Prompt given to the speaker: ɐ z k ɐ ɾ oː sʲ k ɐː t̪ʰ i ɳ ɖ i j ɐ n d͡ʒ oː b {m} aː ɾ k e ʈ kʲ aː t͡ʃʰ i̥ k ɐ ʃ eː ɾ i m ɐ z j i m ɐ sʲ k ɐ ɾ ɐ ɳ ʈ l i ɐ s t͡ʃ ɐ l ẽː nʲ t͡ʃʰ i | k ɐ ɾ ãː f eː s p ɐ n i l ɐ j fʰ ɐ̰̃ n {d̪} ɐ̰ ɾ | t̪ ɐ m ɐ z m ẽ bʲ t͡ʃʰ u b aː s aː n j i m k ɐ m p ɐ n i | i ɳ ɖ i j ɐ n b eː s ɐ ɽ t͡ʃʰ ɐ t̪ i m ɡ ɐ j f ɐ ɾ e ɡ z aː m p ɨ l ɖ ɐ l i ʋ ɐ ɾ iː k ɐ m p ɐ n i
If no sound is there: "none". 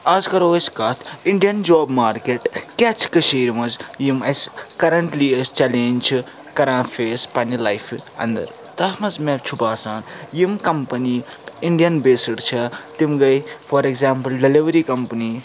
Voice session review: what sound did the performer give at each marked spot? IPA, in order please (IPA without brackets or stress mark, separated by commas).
m, d̪